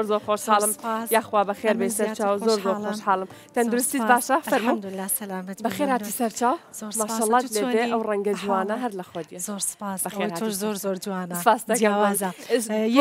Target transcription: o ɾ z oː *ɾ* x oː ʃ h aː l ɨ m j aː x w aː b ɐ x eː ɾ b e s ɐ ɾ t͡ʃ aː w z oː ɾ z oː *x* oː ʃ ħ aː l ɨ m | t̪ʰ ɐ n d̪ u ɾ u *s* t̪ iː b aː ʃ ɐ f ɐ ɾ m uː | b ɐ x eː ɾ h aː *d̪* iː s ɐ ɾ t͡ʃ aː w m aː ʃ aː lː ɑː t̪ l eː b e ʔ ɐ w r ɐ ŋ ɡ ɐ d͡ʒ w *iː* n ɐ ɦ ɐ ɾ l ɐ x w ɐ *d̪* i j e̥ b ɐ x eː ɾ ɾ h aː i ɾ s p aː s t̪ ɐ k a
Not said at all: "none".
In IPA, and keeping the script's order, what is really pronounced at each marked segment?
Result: ɾ, x, s, t̪, aː, d̪

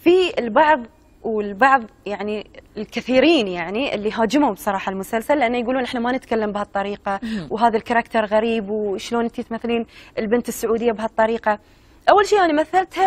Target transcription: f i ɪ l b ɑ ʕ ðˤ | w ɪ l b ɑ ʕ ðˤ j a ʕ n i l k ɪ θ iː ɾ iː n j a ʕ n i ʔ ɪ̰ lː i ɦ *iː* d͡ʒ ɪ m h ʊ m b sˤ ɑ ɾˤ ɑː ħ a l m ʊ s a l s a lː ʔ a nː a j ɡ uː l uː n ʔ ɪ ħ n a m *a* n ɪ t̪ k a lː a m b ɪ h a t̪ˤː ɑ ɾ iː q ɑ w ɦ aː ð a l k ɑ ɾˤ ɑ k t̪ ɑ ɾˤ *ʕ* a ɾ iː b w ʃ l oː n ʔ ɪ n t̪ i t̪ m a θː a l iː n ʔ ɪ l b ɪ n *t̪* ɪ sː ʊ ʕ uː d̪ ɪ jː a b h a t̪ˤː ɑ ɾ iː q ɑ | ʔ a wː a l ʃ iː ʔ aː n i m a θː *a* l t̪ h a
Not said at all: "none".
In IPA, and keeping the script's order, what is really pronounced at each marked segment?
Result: aː, a, ɣ, t̪, a

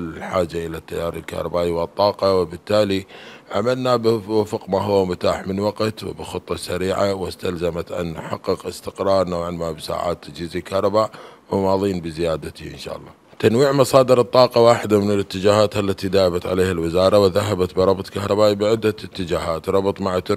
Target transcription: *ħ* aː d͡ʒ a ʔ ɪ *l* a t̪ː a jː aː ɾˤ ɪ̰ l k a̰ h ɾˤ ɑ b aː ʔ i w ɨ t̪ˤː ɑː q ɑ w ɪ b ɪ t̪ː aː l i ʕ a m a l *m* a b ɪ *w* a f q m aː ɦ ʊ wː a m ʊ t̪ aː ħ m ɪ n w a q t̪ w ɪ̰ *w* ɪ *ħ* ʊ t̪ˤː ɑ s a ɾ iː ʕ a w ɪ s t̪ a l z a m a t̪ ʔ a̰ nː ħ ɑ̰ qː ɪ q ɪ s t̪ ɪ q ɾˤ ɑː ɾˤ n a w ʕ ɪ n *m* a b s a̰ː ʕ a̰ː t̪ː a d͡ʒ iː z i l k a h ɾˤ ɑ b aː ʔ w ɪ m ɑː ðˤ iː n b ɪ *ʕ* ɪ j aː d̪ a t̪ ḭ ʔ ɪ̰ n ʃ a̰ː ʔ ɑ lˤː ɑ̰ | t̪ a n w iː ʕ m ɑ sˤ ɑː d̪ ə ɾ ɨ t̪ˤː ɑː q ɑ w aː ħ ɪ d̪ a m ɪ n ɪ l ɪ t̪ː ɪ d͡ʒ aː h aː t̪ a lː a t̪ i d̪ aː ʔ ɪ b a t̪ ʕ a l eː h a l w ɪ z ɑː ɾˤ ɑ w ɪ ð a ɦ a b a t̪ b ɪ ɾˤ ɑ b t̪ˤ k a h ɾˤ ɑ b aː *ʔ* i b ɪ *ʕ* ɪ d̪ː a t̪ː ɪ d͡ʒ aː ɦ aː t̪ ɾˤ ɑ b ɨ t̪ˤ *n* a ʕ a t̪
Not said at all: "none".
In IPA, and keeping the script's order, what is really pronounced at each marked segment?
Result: ħ, l, n, w, b, x, m, z, ʔ, ʕ, m

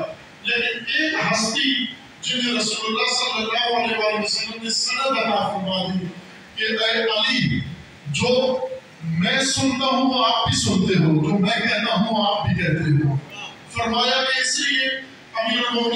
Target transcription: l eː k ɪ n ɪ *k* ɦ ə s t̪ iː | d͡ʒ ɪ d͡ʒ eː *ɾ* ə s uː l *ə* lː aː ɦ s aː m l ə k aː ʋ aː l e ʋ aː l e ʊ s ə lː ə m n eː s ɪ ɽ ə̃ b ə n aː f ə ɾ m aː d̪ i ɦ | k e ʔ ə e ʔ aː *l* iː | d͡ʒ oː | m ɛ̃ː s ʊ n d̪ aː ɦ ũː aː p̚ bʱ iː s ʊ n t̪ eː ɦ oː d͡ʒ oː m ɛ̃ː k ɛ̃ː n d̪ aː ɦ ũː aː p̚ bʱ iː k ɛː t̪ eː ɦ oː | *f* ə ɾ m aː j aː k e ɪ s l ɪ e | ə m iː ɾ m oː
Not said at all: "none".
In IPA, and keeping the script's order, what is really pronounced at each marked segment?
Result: k, ɾ, ə, l, f

